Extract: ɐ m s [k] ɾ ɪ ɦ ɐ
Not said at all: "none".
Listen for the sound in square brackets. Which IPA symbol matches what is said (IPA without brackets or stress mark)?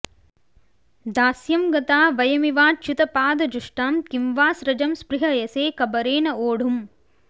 p